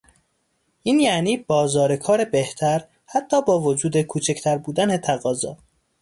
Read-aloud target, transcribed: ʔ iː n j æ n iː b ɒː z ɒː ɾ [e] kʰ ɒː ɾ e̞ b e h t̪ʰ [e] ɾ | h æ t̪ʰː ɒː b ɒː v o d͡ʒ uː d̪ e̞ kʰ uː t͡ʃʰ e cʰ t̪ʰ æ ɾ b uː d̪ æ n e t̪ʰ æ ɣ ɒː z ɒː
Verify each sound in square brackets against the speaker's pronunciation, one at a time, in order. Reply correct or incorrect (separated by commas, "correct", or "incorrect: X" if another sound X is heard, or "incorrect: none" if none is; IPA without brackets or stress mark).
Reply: correct, incorrect: æ